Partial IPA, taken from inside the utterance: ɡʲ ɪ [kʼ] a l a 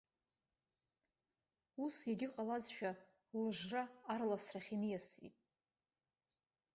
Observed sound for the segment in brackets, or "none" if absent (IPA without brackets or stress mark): qʼ